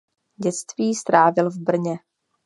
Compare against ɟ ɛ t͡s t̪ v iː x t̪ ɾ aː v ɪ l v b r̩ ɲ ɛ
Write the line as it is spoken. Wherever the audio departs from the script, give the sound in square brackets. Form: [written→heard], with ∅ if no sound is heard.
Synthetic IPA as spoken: ɟ ɛ t͡s t̪ v iː [x→s] t̪ ɾ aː v ɪ l v b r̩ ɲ ɛ

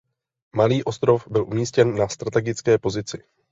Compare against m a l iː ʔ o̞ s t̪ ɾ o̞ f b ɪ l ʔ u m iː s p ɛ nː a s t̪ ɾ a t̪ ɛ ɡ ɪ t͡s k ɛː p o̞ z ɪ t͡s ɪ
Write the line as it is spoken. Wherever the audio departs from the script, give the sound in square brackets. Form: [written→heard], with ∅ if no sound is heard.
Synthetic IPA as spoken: m a l iː ʔ o̞ s t̪ ɾ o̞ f b ɪ l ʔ u m iː s [p→c] ɛ nː a s t̪ ɾ a t̪ ɛ ɡ ɪ t͡s k ɛː p o̞ z ɪ t͡s ɪ

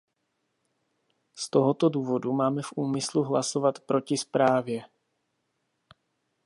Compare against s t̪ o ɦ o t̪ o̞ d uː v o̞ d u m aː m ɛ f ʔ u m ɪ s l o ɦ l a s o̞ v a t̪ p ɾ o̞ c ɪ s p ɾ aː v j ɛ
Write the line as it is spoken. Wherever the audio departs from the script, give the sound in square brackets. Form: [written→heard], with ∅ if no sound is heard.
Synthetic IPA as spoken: s t̪ o ɦ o t̪ o̞ d uː v o̞ d u m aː m ɛ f ʔ [u→uː] m ɪ s l [o→u] ɦ l a s o̞ v a t̪ p ɾ o̞ c ɪ s p ɾ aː v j ɛ

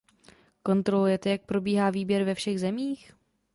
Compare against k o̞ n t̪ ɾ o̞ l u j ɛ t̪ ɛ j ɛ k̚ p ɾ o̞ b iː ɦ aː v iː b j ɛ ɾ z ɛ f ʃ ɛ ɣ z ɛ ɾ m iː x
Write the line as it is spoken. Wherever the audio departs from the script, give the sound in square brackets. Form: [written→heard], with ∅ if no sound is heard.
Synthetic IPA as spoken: k o̞ n t̪ ɾ o̞ l u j ɛ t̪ ɛ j [ɛ→a] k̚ p ɾ o̞ b iː ɦ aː v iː b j ɛ ɾ [z→v] ɛ f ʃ ɛ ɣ z ɛ [ɾ→∅] m iː x

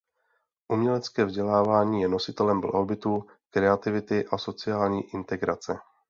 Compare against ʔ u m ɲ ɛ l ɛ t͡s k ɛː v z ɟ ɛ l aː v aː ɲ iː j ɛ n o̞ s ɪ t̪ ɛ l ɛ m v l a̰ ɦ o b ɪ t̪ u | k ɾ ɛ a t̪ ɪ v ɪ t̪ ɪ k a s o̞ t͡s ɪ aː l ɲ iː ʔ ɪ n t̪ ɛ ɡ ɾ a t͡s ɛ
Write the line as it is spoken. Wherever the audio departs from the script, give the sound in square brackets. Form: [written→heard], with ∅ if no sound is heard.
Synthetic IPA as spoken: ʔ u m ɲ ɛ l ɛ t͡s k ɛː v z ɟ ɛ l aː v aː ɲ iː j ɛ n o̞ s ɪ t̪ ɛ l ɛ m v l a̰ ɦ o b ɪ t̪ u | k ɾ ɛ a t̪ ɪ v ɪ t̪ ɪ [k→ʔ] a s o̞ t͡s ɪ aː l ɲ iː ʔ ɪ n t̪ ɛ ɡ ɾ a t͡s ɛ

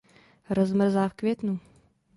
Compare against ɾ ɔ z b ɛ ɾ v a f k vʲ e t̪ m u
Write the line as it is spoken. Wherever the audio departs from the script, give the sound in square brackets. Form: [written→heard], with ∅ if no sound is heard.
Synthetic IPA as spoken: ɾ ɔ z [b→m] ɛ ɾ [v→z] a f k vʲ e t̪ [m→n] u

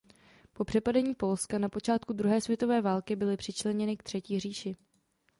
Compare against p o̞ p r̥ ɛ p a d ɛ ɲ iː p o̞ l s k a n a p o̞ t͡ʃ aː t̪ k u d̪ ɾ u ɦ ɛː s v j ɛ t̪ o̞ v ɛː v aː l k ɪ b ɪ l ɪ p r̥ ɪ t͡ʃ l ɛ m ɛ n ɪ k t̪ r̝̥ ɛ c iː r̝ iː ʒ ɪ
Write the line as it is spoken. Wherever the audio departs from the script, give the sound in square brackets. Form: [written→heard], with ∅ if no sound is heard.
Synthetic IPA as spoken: p o̞ p r̥ ɛ p a d ɛ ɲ iː p o̞ l s k a n a p o̞ t͡ʃ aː t̪ k u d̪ ɾ u ɦ ɛː s v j ɛ t̪ o̞ v ɛː v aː l k ɪ b ɪ l ɪ p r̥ ɪ t͡ʃ l ɛ [m→ɲ] ɛ n ɪ k t̪ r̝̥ ɛ c iː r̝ iː [ʒ→ʃ] ɪ

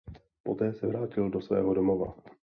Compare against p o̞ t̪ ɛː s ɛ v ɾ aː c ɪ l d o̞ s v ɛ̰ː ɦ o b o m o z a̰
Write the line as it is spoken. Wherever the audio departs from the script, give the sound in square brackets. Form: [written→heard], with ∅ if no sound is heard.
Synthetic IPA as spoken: p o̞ t̪ ɛː s ɛ v ɾ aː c ɪ l d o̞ s v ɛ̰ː ɦ o [b→d] o m o [z→v] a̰

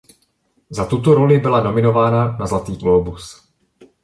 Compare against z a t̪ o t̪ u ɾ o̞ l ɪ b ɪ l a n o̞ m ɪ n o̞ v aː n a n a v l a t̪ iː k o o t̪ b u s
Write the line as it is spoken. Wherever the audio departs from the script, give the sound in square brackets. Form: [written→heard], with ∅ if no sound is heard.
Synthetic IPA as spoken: z a t̪ [o→u] t̪ [u→o] ɾ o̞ l ɪ b ɪ l a n o̞ m ɪ n o̞ v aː n a n a [v→z] l a t̪ iː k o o [t̪→∅] b u s

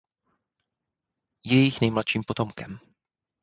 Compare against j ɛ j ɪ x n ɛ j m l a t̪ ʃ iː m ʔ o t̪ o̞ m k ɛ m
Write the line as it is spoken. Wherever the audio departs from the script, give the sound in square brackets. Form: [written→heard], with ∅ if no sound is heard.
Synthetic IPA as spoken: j ɛ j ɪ x n ɛ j m l a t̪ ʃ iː m [ʔ→p] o t̪ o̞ m k ɛ m

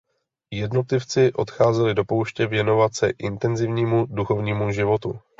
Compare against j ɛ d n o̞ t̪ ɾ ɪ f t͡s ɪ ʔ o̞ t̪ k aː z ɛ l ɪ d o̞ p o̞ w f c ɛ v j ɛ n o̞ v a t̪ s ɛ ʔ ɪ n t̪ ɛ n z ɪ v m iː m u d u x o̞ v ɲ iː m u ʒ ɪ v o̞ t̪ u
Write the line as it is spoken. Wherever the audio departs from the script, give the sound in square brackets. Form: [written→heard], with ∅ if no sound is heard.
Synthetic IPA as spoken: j ɛ d n o̞ t̪ [ɾ→l] ɪ f t͡s ɪ ʔ o̞ t̪ [k→x] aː z ɛ l ɪ d o̞ p o̞ w [f→ʃ] c ɛ v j ɛ n o̞ v a t̪ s ɛ ʔ ɪ n t̪ ɛ n z ɪ v [m→ɲ] iː m u d u x o̞ v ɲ iː m u ʒ ɪ v o̞ t̪ u

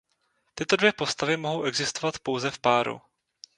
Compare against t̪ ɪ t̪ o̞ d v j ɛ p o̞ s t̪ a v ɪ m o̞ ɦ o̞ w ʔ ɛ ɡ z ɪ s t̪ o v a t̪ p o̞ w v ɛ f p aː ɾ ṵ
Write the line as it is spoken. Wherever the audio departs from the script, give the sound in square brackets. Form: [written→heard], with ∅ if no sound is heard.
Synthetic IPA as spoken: t̪ ɪ t̪ o̞ d v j ɛ p o̞ s t̪ a v ɪ m o̞ ɦ o̞ w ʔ ɛ ɡ z ɪ s t̪ o v a t̪ p o̞ w [v→z] ɛ f p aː ɾ ṵ

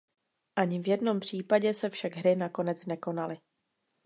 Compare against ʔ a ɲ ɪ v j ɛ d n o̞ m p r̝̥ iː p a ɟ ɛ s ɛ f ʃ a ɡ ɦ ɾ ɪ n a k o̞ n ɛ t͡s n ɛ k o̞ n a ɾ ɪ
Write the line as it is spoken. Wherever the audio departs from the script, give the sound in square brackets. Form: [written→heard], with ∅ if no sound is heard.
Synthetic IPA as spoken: ʔ a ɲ ɪ v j ɛ d n o̞ m p r̝̥ iː p a ɟ ɛ s ɛ f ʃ a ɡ ɦ ɾ ɪ n a k o̞ n ɛ t͡s n ɛ k o̞ n a [ɾ→l] ɪ

